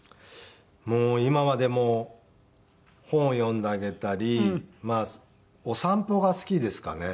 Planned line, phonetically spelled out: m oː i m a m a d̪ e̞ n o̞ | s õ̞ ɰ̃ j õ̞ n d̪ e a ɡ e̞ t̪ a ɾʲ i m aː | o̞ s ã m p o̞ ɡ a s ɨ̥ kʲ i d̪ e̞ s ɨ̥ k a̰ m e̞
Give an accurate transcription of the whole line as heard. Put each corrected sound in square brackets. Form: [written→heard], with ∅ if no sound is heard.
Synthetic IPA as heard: m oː i m a m a d̪ e̞ [n→m] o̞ | [s→h] õ̞ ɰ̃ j õ̞ n d̪ e a ɡ e̞ t̪ a ɾʲ i m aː | o̞ s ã m p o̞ ɡ a s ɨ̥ kʲ i d̪ e̞ s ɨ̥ k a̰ [m→n] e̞

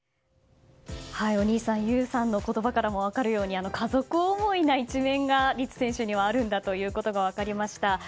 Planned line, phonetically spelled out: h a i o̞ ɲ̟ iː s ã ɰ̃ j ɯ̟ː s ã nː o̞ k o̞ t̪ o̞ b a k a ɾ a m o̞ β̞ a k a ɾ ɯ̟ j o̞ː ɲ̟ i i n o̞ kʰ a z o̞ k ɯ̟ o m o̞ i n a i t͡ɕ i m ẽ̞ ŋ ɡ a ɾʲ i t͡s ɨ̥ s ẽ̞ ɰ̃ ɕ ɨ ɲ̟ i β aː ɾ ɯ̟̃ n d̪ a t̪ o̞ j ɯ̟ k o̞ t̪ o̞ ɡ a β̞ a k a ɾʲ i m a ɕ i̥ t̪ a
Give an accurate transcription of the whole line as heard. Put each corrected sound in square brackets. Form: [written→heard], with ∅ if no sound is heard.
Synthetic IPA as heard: h a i o̞ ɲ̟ iː s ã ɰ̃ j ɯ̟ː s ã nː o̞ k o̞ t̪ o̞ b a k a ɾ a m o̞ β̞ a k a ɾ ɯ̟ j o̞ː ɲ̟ i [i→a] n o̞ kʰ a z o̞ k ɯ̟ o m o̞ i n a i t͡ɕ i m ẽ̞ ŋ ɡ a ɾʲ i t͡s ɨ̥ s ẽ̞ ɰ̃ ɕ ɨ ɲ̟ i β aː ɾ ɯ̟̃ n d̪ a t̪ o̞ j [ɯ̟→ɯ̟ː] k o̞ t̪ o̞ ɡ a β̞ a k a ɾʲ i m a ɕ i̥ t̪ a

